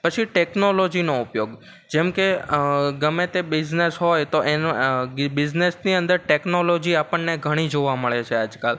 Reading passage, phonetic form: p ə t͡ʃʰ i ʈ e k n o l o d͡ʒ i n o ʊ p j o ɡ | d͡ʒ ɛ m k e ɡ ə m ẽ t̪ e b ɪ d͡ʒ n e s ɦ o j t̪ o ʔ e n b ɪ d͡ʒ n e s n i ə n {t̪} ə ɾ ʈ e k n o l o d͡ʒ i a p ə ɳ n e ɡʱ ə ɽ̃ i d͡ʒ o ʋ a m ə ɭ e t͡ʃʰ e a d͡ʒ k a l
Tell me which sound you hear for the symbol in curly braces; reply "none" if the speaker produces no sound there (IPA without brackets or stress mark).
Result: d̪